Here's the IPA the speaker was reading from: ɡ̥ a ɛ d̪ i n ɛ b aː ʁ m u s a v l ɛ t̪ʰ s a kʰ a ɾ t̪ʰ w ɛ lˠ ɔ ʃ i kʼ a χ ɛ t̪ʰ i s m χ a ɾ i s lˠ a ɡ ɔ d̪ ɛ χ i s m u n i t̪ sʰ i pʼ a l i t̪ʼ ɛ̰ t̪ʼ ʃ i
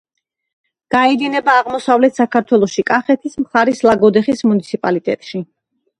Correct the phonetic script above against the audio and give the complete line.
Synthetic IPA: ɡ̥ a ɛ d̪ i n ɛ b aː ʁ m ɔ s a v l ɛ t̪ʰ s a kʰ a ɾ t̪ʰ w ɛ lˠ ɔ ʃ i kʼ a χ ɛ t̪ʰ i s m χ a ɾ i s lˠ a ɡ ɔ d̪ ɛ χ i s m u n i t̪ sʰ i pʼ a l i t̪ʼ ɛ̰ t̪ʼ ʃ i